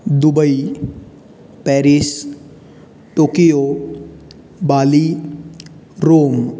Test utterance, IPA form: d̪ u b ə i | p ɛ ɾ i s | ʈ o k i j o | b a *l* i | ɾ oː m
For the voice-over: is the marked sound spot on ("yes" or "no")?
yes